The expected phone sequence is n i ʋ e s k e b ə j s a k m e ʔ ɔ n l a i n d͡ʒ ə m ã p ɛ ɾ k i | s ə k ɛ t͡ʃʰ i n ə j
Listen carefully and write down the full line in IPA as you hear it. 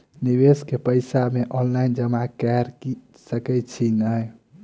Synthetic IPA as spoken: n i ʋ e s k e p ə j s a m e ʔ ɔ n l a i n d͡ʒ ə m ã k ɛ ɾ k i | s ə k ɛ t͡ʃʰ i n ə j